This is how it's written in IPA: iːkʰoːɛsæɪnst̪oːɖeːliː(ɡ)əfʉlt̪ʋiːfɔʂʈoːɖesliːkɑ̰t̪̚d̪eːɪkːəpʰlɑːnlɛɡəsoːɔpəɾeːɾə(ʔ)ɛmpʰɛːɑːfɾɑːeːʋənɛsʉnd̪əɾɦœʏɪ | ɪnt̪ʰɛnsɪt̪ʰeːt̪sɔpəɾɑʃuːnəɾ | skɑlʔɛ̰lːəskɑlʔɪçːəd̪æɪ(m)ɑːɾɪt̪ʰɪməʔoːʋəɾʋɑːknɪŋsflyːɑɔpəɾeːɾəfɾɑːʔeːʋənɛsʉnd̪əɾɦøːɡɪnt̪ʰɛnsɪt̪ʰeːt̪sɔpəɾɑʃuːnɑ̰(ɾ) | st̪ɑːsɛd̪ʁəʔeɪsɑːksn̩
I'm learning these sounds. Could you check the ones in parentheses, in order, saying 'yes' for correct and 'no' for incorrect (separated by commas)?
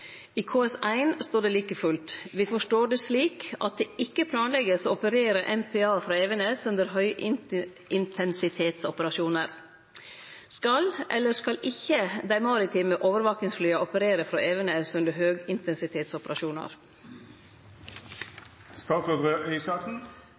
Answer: no, yes, yes, yes